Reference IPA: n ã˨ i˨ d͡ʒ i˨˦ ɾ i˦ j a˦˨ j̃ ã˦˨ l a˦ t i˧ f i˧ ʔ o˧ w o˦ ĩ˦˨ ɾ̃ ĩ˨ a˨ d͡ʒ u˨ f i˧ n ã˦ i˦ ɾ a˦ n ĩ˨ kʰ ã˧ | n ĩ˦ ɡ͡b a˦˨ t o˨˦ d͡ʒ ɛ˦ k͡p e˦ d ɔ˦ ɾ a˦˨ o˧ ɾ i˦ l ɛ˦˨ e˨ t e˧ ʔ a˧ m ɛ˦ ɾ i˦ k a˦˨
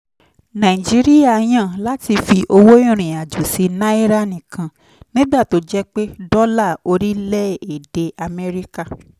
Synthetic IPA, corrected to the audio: n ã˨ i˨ d͡ʒ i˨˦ ɾ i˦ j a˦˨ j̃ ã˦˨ l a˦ t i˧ f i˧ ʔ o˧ w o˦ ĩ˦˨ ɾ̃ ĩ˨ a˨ d͡ʒ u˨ s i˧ n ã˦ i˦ ɾ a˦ n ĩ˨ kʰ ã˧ | n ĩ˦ ɡ͡b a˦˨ t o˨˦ d͡ʒ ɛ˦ k͡p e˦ d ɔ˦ l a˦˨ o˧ ɾ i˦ l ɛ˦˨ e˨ d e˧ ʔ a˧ m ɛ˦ ɾ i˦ k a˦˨